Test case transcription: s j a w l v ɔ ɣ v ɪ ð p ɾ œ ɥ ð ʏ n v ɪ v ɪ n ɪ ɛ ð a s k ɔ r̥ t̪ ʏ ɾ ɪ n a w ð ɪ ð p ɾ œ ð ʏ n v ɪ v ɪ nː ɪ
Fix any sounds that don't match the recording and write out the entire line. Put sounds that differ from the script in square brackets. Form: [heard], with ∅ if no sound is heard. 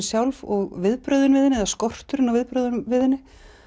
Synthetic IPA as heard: s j a w l v ɔ ɣ v ɪ ð p ɾ œ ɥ ð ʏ n v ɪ [ð] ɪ n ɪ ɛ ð a s k ɔ r̥ t̪ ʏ ɾ ɪ n a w [v] ɪ ð p ɾ œ ð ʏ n v ɪ [ð] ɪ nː ɪ